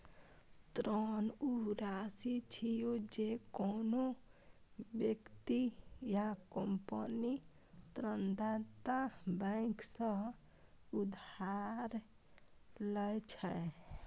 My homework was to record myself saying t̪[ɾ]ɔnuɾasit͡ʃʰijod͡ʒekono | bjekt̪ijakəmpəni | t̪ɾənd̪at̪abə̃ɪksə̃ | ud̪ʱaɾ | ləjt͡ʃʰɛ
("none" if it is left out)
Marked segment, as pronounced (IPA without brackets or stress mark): ɾ